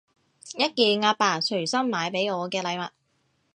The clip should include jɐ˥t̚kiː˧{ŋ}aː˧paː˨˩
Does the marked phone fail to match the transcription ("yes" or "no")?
no